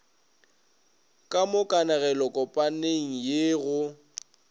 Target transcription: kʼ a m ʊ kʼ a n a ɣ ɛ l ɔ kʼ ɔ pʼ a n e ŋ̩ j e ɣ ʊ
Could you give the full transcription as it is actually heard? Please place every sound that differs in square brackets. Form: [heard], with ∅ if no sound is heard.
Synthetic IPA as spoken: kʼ a m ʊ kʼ a n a ɣ ɛ l ɔ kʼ ɔ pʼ a n e ŋ̩ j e ɣ ʊ

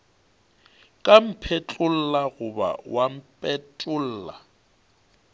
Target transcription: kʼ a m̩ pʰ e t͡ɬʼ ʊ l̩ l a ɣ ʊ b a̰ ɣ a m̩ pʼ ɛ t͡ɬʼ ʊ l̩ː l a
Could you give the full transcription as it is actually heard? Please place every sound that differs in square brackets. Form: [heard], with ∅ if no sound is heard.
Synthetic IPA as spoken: kʼ a m̩ pʰ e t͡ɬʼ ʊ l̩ l a ɣ ʊ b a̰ [w] a m̩ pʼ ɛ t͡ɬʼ ʊ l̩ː l a

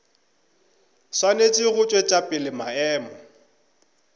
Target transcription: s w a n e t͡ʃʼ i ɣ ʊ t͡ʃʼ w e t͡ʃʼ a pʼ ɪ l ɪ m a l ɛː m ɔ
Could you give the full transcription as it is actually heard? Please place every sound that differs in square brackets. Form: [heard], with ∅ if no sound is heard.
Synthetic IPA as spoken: s w a n e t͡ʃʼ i ɣ ʊ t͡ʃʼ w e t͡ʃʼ a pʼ ɪ l ɪ m a [∅] ɛː m ɔ

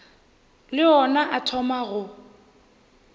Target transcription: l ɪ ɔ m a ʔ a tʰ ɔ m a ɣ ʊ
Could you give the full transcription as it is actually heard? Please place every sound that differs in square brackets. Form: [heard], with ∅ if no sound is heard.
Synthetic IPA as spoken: l ɪ ɔ [n] a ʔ a tʰ ɔ m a ɣ ʊ

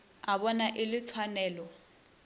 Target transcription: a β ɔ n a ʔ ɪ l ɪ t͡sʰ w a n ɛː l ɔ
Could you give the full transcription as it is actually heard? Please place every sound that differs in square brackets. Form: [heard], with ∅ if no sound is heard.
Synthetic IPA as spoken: a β ɔ n a ʔ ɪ l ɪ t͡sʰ w a n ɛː l ɔ

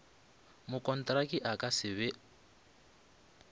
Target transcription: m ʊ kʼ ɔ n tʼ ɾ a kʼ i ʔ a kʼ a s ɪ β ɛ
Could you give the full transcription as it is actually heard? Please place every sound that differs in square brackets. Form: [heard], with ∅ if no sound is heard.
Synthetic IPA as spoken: m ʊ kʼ ɔ n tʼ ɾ a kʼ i ʔ a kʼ a s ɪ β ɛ

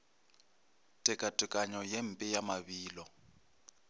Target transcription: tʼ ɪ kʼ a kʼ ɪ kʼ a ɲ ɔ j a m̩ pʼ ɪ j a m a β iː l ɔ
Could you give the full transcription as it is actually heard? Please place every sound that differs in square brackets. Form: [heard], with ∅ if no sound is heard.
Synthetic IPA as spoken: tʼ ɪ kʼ a [tʼ] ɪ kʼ a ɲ ɔ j [e] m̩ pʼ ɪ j a m a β iː l ɔ

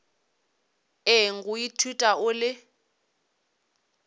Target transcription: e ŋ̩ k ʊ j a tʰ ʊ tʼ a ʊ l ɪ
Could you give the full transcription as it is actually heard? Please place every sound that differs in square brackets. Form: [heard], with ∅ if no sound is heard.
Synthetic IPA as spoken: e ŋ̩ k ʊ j [i] tʰ [u] tʼ a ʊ l ɪ

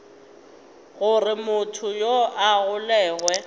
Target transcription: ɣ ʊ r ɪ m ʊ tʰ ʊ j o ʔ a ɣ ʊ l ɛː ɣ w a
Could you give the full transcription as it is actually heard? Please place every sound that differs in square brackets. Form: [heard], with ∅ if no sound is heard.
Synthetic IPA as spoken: ɣ ʊ r ɪ m ʊ tʰ ʊ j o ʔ a ɣ ʊ l ɛː ɣ w [ɛ]

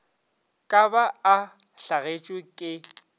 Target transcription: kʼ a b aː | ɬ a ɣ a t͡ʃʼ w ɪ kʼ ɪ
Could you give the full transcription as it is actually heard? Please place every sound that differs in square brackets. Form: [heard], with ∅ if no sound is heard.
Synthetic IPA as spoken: kʼ a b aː | ɬ a ɣ [e] t͡ʃʼ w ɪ kʼ ɪ

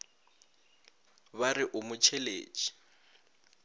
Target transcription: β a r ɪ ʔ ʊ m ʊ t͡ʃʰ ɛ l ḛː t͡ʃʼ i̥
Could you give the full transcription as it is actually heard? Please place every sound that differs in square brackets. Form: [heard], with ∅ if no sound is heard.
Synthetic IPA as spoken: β a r ɪ ʔ ʊ m ʊ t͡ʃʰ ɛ l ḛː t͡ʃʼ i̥

